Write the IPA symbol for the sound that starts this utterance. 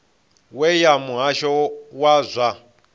w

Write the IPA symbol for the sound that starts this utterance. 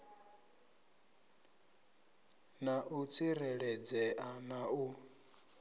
n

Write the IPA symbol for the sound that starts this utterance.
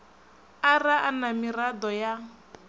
a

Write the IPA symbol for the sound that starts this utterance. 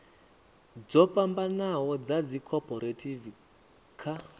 d͡z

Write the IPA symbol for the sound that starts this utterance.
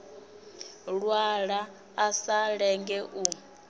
ɺ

